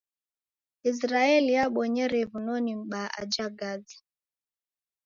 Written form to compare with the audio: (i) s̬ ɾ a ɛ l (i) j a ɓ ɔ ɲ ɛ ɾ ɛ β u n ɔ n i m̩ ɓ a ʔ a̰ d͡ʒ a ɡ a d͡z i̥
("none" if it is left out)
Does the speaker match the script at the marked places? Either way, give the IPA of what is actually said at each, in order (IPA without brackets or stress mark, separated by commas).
i, i